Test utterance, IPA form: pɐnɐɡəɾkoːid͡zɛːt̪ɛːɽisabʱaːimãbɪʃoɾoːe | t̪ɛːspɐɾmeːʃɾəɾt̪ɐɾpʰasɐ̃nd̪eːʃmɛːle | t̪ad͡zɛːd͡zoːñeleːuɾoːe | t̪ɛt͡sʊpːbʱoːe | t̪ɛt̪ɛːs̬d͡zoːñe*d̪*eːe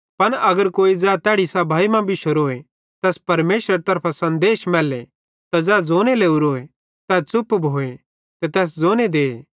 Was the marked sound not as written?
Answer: no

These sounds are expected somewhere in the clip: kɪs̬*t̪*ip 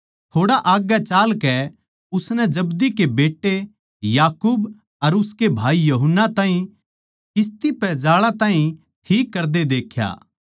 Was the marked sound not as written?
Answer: no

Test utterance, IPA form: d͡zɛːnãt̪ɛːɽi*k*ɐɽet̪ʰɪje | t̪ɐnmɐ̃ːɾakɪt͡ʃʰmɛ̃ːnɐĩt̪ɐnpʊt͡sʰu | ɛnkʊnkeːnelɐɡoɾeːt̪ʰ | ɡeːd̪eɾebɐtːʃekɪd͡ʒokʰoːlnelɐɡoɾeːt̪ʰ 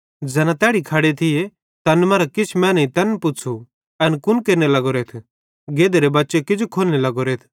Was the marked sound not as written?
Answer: yes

